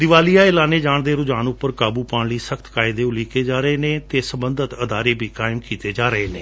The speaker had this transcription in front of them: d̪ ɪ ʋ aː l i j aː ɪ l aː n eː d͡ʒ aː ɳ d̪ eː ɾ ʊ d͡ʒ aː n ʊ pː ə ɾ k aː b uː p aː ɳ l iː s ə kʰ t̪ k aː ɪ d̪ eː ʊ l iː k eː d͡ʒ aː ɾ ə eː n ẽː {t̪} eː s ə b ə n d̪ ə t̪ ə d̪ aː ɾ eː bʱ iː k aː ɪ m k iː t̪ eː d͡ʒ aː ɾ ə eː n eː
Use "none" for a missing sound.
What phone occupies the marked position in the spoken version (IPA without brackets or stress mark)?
t̪